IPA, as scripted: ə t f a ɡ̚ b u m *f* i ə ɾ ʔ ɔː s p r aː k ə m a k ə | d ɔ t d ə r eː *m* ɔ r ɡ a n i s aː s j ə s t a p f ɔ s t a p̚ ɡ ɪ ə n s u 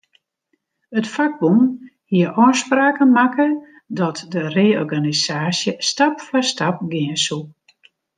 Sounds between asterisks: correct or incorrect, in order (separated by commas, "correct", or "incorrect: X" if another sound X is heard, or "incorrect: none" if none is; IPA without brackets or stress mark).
incorrect: h, incorrect: none